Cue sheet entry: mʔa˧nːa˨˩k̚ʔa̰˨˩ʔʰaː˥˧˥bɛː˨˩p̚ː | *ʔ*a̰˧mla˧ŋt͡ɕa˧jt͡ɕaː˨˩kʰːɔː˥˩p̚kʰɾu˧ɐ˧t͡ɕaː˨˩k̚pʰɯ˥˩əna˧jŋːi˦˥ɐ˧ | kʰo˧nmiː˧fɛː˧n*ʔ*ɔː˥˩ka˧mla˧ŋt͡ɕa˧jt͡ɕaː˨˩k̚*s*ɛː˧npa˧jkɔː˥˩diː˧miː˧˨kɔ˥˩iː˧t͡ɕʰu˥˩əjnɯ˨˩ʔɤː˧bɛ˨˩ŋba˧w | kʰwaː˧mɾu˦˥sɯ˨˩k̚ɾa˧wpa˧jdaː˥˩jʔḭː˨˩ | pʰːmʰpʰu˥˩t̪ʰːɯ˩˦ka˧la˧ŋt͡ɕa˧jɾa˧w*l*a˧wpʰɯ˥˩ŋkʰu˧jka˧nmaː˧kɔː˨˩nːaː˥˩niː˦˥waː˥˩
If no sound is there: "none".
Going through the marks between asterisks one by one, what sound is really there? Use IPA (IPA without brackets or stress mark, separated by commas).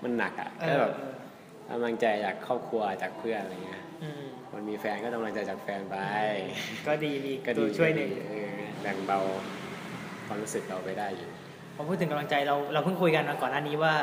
k, k, f, ɾ